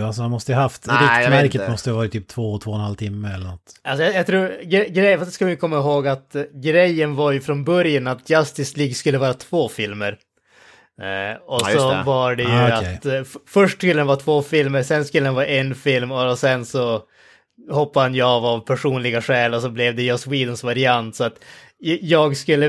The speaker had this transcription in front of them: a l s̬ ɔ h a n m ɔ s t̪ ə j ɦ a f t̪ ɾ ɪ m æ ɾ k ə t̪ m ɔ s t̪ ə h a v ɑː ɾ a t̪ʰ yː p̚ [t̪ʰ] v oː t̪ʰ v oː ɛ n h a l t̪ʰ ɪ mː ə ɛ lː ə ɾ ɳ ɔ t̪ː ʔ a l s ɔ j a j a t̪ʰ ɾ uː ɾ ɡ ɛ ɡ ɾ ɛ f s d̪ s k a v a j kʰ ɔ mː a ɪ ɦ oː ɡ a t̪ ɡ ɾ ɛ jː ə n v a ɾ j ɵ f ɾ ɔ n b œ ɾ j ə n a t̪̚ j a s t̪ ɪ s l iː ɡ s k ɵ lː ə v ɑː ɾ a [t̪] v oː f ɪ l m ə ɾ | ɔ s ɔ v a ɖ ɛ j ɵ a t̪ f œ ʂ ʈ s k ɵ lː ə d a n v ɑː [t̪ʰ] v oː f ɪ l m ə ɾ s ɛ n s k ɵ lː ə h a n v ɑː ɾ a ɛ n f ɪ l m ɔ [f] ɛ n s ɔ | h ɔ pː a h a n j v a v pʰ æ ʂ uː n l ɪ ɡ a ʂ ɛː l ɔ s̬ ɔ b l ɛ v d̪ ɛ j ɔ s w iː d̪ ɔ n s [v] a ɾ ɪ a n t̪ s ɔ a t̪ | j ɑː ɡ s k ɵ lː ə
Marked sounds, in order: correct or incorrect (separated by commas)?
correct, incorrect, correct, incorrect, correct